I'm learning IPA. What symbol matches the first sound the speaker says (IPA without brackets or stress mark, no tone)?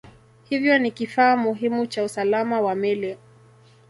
h